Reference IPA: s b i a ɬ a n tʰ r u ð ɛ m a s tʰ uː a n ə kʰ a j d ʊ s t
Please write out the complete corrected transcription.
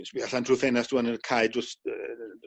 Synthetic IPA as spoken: s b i a ɬ a n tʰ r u θ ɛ n a s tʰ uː a n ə kʰ a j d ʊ s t